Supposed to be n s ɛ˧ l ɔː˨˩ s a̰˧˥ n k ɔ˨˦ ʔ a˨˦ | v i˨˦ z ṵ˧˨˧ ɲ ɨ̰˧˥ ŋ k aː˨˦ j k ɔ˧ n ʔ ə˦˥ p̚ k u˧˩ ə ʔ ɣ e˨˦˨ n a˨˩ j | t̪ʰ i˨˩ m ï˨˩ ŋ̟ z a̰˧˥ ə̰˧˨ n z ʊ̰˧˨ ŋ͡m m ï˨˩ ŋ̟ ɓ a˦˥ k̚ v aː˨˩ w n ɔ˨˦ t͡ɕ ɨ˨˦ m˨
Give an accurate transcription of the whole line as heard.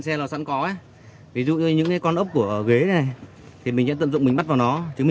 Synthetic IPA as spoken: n s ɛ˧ l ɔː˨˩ s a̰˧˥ n k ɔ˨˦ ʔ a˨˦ | v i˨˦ z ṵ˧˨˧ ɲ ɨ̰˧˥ ŋ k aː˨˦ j k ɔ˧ n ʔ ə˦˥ p̚ k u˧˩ ə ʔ ɣ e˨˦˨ n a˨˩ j | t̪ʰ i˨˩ m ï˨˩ ŋ̟ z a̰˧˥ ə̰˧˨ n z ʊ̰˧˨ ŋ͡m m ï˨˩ ŋ̟ ɓ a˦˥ t̚ v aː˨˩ w n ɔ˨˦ t͡ɕ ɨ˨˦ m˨